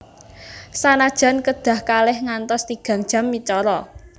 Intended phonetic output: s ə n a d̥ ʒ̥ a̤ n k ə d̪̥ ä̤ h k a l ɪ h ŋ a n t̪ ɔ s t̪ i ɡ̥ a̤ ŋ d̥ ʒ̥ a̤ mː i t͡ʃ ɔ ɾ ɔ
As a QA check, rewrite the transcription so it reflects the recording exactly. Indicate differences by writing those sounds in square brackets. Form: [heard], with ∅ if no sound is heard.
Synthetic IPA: s [a] n a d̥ ʒ̥ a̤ n k ə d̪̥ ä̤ h k a l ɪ h ŋ a n t̪ ɔ s t̪ i ɡ̥ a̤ ŋ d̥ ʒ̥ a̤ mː i t͡ʃ ɔ ɾ ɔ

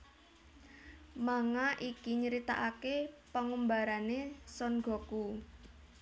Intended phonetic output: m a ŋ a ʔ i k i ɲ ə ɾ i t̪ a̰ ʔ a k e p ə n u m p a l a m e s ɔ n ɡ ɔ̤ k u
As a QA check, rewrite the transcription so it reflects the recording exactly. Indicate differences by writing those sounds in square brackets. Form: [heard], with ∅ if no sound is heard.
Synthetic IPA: m a ŋ a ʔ i k i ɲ ə ɾ i t̪ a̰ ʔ a k e p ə [ŋ] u m [b] a [ɾ] a [n] e s ɔ n ɡ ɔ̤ k u

